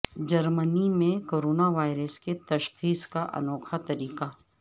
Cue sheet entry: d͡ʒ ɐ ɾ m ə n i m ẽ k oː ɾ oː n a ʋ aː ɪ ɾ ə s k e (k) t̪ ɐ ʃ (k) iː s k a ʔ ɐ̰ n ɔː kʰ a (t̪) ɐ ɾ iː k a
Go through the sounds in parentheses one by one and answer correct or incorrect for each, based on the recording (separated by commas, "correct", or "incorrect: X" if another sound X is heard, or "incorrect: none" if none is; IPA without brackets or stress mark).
incorrect: none, incorrect: x, correct